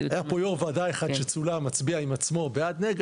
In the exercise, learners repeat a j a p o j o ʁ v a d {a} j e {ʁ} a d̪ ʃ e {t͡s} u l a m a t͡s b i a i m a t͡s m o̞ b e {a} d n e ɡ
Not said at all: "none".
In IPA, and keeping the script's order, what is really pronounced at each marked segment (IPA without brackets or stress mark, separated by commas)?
a, χ, t͡s, a